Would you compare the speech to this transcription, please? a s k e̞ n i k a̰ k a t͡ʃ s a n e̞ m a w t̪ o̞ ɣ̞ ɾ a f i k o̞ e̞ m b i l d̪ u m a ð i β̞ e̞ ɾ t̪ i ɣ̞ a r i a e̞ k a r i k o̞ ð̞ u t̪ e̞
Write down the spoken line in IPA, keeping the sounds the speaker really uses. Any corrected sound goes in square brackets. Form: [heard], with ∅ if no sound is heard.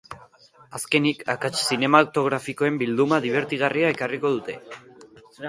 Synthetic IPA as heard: a s k e̞ n i k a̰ k a t͡ʃ s [i] n e̞ m a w t̪ o̞ ɣ̞ ɾ a f i k o̞ e̞ m b i l d̪ u m a ð i β̞ e̞ ɾ t̪ i ɣ̞ a r i a e̞ k a r i k o̞ ð̞ u t̪ e̞